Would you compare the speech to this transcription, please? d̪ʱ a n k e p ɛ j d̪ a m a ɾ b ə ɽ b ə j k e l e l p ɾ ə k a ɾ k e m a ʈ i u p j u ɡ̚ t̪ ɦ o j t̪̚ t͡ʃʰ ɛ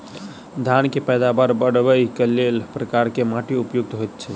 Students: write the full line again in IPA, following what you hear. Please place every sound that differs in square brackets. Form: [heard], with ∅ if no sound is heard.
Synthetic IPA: d̪ʱ a n k e p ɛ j d̪ a [b] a ɾ b ə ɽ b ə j k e l e l p ɾ ə k a ɾ k e m a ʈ i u p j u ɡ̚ t̪ ɦ o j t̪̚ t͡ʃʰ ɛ

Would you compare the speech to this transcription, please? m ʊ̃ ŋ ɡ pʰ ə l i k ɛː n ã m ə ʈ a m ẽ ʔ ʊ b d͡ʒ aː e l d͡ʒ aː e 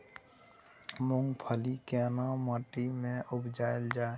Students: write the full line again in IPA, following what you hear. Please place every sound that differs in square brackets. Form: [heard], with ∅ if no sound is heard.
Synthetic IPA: m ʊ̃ ŋ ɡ pʰ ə l i k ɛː n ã m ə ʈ [i] m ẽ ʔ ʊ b d͡ʒ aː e l d͡ʒ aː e

